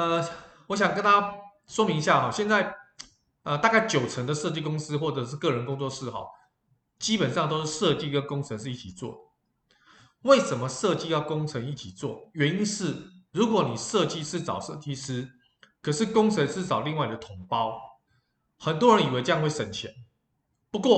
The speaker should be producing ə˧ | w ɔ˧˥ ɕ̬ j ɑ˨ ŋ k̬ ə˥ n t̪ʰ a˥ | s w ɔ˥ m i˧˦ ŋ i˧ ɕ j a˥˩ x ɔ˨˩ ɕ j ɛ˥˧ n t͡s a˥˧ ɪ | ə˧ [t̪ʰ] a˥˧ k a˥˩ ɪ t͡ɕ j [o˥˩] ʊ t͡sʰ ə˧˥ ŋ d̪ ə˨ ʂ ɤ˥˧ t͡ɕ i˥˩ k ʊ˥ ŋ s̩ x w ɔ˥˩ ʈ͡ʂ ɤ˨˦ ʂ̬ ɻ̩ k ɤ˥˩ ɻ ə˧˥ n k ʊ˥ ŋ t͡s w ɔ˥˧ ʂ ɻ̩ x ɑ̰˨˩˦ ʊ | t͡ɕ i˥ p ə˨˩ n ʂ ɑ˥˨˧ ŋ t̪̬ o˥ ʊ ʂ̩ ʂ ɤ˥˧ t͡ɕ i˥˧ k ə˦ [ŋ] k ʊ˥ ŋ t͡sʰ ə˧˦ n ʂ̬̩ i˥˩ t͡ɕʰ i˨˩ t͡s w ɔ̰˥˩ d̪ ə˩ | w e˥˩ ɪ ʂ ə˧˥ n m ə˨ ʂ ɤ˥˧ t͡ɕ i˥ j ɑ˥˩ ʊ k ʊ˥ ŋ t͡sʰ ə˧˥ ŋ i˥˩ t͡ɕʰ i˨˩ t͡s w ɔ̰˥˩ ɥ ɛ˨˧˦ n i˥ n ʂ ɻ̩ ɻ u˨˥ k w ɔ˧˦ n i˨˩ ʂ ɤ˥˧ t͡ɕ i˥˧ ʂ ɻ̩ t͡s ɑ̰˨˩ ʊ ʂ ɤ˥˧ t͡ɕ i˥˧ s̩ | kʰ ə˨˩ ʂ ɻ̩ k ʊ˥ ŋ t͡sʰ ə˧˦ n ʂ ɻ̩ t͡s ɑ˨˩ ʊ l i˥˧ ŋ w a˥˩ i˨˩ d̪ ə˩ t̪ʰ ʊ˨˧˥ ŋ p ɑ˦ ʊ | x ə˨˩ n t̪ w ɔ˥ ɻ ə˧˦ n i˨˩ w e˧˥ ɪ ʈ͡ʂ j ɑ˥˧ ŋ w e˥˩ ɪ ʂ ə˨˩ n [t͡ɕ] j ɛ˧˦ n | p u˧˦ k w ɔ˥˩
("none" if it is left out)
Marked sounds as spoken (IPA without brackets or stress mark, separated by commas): t̪, o˨˩, n, t͡ɕʰ